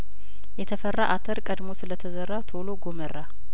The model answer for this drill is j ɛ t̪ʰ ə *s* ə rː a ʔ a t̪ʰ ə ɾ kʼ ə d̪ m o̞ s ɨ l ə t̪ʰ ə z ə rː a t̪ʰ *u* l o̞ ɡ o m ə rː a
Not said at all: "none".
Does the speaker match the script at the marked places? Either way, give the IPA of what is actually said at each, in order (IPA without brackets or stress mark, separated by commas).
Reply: f, o